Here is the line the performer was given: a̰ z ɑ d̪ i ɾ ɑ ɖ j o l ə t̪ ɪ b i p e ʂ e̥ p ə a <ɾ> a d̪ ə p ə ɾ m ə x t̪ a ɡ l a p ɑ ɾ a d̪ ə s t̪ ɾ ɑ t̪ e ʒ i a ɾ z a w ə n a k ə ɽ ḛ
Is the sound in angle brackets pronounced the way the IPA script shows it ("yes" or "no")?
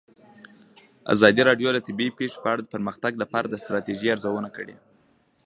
no